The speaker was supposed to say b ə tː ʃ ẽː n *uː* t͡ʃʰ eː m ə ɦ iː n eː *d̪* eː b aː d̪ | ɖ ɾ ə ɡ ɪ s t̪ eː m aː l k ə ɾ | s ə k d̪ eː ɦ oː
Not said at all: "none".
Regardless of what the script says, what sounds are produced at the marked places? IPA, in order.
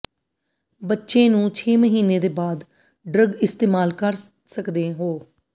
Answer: ũː, d̪

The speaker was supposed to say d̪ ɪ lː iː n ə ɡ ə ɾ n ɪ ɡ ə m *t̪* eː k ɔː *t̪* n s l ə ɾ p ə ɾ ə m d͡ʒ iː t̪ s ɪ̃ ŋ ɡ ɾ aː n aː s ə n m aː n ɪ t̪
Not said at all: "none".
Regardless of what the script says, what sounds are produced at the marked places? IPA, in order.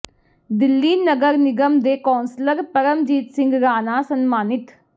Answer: d̪, none

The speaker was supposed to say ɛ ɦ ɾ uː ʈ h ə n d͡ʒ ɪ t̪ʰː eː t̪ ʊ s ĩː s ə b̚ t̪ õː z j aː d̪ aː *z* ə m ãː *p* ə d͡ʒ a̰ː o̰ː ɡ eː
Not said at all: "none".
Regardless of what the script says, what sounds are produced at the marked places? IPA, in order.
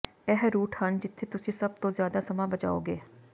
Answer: s, b

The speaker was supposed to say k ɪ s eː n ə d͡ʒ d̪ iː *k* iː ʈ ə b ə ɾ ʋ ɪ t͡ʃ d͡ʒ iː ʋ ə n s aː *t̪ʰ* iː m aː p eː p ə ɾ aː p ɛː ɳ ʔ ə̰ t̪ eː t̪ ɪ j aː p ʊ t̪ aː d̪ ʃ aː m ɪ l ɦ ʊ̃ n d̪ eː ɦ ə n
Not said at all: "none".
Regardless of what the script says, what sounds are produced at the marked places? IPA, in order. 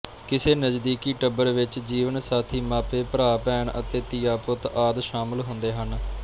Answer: k, t̪ʰ

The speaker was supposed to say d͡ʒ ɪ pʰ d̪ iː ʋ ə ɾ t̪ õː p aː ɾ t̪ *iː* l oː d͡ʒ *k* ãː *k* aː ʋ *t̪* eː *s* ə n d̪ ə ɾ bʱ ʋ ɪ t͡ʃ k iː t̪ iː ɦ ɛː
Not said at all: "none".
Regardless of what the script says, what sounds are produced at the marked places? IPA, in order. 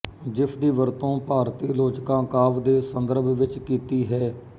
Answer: iː, k, k, d̪, s

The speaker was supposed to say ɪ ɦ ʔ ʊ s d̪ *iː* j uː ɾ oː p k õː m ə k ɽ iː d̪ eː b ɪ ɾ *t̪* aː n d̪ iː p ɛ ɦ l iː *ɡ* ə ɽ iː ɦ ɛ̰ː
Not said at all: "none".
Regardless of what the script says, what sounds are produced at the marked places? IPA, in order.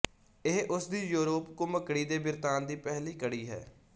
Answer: iː, t̪, k

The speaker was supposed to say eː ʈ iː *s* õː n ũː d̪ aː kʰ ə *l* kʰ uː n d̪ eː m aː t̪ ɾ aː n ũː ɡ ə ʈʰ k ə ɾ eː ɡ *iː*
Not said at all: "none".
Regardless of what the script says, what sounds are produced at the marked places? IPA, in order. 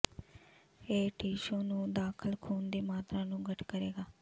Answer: ʃ, l, aː

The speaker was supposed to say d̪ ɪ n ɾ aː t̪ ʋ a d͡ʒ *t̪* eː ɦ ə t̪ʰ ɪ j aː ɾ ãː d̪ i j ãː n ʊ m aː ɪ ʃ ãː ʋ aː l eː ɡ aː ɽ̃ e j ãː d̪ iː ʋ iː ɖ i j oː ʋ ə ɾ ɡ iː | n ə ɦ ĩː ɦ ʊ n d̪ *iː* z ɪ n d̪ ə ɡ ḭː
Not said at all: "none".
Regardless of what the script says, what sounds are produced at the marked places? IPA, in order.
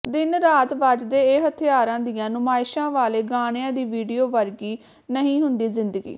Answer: d̪, iː

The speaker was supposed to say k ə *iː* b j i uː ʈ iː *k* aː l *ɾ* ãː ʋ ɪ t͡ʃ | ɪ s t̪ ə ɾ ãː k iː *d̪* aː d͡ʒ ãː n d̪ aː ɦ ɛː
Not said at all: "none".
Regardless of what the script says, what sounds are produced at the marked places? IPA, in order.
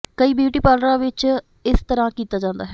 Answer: iː, p, ɾ, t̪

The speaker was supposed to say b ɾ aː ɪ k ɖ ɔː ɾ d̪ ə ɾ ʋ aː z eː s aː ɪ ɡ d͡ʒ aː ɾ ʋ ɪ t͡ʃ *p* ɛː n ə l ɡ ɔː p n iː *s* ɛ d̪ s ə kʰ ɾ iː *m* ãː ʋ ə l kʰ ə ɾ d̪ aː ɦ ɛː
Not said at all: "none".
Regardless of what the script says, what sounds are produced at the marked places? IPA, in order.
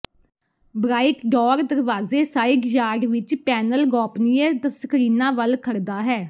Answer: p, none, n

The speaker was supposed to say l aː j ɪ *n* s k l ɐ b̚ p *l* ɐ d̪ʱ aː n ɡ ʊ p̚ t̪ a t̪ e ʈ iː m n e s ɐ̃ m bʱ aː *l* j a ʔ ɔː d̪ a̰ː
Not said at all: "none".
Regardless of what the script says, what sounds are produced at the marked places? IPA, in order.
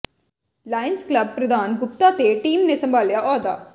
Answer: n, ɾ, l

